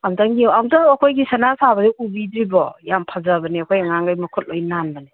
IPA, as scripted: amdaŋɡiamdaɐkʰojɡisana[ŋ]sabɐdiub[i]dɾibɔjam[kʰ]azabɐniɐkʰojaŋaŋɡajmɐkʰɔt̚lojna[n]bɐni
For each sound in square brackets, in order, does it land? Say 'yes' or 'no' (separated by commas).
no, yes, no, yes